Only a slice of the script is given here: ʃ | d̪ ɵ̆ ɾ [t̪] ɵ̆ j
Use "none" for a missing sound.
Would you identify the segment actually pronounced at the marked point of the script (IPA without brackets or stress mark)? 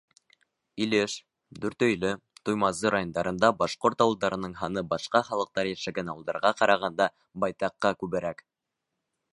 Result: t̪